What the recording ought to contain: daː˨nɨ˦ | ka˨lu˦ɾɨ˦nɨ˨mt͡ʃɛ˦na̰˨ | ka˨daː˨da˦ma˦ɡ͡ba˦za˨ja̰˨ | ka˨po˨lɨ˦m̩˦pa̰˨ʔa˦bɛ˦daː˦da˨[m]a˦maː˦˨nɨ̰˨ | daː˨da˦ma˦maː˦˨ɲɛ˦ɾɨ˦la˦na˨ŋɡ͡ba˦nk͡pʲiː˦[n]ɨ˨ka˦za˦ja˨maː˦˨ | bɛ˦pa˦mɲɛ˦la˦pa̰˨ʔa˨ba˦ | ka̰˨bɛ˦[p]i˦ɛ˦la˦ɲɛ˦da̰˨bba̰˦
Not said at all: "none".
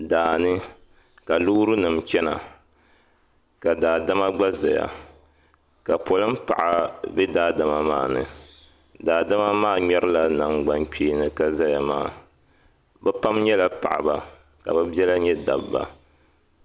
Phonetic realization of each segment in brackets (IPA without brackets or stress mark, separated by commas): m, n, b